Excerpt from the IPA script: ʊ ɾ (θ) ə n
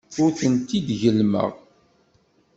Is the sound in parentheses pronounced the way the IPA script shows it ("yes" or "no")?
yes